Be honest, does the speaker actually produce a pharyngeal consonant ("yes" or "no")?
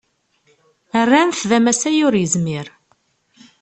no